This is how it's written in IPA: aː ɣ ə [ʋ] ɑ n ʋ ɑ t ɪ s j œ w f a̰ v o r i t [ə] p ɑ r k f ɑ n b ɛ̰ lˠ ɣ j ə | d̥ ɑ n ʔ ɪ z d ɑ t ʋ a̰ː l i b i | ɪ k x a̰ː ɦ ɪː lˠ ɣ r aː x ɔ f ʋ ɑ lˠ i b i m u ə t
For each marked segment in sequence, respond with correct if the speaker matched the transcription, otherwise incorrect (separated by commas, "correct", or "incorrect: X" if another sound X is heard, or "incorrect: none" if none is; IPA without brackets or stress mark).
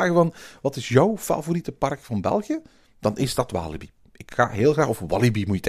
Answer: incorrect: v, correct